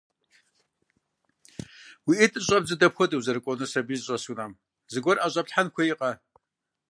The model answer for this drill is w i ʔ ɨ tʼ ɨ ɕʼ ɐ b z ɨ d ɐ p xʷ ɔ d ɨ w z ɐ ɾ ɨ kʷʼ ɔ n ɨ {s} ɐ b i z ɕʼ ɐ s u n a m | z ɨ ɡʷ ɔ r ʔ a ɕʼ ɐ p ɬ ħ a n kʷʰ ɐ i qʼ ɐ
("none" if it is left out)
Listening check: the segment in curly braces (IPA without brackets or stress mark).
s